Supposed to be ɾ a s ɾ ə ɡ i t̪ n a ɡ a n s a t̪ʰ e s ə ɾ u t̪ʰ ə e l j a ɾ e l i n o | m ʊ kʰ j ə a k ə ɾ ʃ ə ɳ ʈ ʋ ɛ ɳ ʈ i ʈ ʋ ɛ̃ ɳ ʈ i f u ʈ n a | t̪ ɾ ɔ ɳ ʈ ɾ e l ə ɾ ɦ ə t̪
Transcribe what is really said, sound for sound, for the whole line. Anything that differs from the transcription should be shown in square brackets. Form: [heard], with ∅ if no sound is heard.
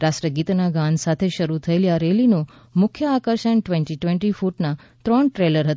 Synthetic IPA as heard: ɾ a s ɾ ə ɡ i t̪ n a ɡ a n s a t̪ʰ e [ʃ] ə ɾ u t̪ʰ ə e l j a ɾ e l i n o | m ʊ kʰ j ə a k ə ɾ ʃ ə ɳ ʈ ʋ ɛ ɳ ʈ i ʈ ʋ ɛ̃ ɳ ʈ i f u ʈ n a | t̪ ɾ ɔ ɳ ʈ ɾ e l ə ɾ ɦ ə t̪